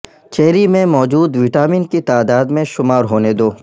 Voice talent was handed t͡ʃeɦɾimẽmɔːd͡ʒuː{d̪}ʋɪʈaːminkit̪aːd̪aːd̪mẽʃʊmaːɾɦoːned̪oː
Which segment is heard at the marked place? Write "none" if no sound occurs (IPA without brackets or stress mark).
d̪